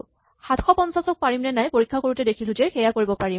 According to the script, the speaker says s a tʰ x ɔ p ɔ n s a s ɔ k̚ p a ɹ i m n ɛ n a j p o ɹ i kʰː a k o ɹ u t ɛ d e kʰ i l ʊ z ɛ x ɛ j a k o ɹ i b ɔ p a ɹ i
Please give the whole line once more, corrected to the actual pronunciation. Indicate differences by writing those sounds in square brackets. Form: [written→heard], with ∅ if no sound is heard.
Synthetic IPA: [s→x] a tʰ x ɔ p ɔ n s a s ɔ k̚ p a ɹ i m n ɛ n a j p o ɹ i kʰː a k o ɹ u t ɛ d e kʰ i l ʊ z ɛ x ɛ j a k o ɹ i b ɔ p a ɹ i